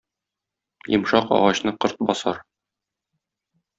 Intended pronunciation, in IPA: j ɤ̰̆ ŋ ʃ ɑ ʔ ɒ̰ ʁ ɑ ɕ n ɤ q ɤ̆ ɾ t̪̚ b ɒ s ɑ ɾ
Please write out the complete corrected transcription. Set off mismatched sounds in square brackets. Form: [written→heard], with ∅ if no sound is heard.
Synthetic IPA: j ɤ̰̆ [ŋ→m] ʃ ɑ [ʔ→q] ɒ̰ ʁ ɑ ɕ n ɤ q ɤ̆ ɾ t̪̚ b ɒ s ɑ ɾ